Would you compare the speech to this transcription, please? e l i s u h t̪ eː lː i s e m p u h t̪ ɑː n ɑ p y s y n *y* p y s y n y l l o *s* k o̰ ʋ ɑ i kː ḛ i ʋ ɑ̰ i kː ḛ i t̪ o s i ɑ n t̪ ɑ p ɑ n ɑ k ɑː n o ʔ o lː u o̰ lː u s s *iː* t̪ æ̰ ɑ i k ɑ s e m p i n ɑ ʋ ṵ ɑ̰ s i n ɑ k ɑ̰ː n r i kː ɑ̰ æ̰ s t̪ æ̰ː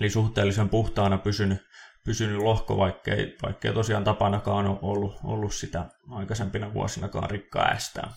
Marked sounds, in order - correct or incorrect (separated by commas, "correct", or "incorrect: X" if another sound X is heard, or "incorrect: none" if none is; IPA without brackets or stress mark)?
correct, incorrect: h, incorrect: i